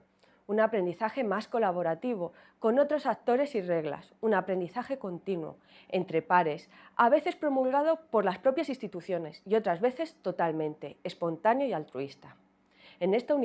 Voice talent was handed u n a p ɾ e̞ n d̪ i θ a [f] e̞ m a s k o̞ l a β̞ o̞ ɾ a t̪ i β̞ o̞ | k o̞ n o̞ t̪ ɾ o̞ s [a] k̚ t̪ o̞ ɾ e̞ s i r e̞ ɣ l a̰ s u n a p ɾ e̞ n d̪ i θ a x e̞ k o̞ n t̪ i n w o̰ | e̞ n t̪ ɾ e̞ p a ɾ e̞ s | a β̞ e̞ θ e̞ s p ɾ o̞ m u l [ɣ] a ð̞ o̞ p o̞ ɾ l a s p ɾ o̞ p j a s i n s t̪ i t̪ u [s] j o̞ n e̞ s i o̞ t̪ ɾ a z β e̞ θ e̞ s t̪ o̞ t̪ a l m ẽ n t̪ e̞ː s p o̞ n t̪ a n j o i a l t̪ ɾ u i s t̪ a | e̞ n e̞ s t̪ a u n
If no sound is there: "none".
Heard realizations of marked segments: x, a, ɣ, θ

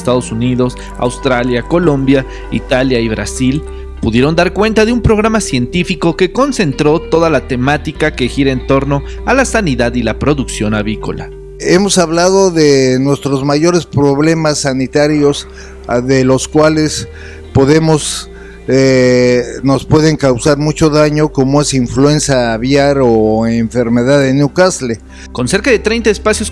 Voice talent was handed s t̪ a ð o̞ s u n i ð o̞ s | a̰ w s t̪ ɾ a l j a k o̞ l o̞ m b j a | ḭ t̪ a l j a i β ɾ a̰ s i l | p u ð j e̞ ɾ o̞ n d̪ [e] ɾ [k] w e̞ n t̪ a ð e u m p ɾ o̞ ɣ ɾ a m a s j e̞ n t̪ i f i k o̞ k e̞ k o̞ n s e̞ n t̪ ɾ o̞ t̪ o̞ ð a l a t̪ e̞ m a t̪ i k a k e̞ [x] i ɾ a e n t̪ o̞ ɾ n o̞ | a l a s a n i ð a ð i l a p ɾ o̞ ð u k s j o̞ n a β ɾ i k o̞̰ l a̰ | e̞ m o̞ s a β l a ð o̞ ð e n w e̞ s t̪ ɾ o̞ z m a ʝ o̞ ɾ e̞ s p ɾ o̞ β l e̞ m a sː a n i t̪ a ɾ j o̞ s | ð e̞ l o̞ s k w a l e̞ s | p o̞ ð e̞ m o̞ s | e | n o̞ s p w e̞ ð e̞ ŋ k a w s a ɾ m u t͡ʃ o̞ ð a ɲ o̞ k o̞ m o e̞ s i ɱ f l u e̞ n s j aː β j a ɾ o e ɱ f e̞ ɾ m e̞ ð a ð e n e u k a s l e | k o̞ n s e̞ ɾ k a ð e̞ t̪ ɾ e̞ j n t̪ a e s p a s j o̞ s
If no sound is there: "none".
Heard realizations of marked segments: a, k, x

